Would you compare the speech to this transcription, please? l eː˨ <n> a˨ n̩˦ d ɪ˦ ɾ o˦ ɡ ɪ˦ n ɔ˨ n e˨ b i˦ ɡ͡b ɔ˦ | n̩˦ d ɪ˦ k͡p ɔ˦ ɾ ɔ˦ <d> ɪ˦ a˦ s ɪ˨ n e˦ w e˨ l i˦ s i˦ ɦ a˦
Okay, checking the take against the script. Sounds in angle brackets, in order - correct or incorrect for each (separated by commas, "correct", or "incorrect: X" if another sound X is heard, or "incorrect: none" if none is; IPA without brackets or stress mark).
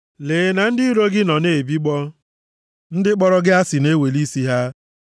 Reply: correct, incorrect: ɡ